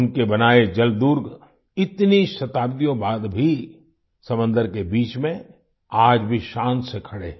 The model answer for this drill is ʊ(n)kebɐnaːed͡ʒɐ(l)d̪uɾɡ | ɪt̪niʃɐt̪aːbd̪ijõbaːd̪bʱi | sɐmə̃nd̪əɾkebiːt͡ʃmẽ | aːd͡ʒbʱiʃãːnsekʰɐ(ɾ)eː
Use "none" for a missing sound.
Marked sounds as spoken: n, l, ɽ

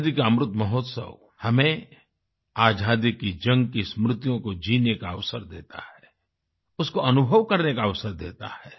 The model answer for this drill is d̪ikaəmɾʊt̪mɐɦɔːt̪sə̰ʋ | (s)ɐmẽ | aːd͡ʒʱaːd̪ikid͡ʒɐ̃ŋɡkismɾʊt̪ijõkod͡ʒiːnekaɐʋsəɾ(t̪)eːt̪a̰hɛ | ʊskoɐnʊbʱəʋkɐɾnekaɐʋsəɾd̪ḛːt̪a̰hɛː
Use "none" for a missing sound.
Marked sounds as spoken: h, d̪

